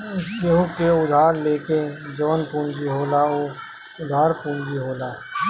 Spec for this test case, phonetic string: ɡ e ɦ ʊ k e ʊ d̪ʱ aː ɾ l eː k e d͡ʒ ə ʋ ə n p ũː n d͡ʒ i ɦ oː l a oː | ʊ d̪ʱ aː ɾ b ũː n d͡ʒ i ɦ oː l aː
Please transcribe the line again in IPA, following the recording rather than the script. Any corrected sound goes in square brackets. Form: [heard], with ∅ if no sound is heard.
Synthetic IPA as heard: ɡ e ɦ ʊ k e ʊ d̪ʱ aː ɾ l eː k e d͡ʒ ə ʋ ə n p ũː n d͡ʒ i ɦ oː l a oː | ʊ d̪ʱ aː ɾ [p] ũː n d͡ʒ i ɦ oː l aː